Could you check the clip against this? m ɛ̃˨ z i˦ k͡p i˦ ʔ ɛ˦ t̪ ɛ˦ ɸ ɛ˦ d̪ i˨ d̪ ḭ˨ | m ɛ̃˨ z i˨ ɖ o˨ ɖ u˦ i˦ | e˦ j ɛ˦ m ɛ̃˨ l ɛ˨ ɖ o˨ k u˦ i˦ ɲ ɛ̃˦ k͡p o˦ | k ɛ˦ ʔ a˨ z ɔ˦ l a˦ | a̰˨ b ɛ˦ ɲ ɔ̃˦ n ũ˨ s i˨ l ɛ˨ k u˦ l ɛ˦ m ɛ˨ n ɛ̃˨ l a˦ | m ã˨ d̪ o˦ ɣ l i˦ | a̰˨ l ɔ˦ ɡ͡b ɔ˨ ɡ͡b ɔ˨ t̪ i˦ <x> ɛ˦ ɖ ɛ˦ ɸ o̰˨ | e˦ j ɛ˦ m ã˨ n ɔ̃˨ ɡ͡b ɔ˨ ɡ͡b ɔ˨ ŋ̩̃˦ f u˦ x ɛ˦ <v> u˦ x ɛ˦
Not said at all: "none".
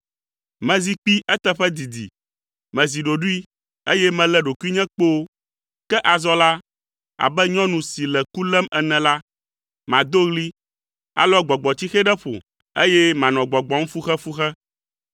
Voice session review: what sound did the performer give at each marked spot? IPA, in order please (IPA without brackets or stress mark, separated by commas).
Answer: x, f